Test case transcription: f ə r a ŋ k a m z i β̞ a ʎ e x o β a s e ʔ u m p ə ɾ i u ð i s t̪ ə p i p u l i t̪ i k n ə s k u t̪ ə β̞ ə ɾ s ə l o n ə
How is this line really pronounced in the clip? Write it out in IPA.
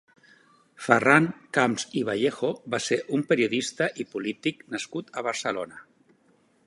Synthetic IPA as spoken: f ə r a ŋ k a m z i β̞ a ʎ e x o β a s e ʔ u m p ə ɾ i u ð i s t̪ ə ʔ i p u l i t̪ i k n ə s k u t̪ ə β̞ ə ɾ s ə l o n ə